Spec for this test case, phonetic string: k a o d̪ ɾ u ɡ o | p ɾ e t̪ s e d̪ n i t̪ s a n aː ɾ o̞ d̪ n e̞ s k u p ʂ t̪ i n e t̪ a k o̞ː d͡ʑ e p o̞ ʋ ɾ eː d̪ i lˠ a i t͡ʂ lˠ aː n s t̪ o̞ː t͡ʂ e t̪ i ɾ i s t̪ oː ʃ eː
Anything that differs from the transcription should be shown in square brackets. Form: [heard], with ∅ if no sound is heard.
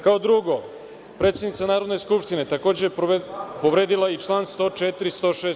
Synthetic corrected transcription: k a o d̪ ɾ u ɡ o | p ɾ e t̪ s e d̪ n i t̪ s a n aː ɾ o̞ d̪ n e̞ s k u p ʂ t̪ i n e t̪ a k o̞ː d͡ʑ e p o̞ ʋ ɾ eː d̪ i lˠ a i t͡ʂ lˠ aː n s t̪ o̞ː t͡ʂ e t̪ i ɾ i s t̪ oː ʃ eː